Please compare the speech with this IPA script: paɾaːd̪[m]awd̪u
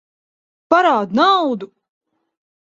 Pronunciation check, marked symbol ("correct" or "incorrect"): incorrect